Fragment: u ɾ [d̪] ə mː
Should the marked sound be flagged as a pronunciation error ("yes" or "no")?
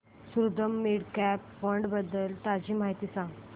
no